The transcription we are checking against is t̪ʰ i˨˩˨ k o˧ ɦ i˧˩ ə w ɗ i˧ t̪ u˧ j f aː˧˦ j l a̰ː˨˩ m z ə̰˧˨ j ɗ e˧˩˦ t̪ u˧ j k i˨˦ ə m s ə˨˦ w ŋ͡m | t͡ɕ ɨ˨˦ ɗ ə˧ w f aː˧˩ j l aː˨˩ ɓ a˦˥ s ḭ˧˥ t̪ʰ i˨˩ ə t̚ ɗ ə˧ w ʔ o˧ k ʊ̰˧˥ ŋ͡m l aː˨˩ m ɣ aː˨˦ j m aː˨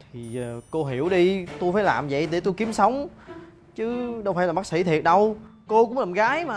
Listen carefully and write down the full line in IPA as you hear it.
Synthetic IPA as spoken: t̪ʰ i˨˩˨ k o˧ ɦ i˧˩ ə w ɗ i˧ t̪ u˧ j f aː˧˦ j l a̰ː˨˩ m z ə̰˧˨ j ɗ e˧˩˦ t̪ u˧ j k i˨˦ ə m s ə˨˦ w ŋ͡m | t͡ɕ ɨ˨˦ ɗ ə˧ w f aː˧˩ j l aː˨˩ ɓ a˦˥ s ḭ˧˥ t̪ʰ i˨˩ ə t̚ ɗ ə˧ w k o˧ k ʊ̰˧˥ ŋ͡m l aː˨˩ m ɣ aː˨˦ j m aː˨